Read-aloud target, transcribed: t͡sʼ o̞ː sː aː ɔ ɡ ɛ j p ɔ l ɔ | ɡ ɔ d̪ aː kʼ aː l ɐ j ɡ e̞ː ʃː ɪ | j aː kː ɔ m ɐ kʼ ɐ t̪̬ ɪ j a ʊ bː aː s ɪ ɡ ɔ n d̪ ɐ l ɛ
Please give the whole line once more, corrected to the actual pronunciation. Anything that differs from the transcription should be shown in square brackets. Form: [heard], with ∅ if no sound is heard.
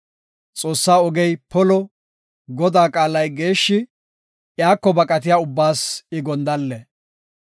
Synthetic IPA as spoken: t͡sʼ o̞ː sː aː ɔ ɡ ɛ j p ɔ l ɔ | ɡ ɔ d̪ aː kʼ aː l ɐ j ɡ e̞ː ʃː ɪ | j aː kː ɔ [b] ɐ kʼ ɐ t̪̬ ɪ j a ʊ bː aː s ɪ ɡ ɔ n d̪ ɐ [lː] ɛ